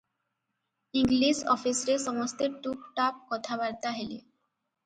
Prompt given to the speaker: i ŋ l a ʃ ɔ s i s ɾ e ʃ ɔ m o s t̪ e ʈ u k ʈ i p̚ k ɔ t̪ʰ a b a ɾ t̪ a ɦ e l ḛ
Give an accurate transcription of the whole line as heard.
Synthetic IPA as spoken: i ŋ l i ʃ ɔ f i s ɾ e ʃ ɔ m o s t̪ e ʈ u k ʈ a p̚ k ɔ t̪ʰ a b a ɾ t̪ a ɦ e l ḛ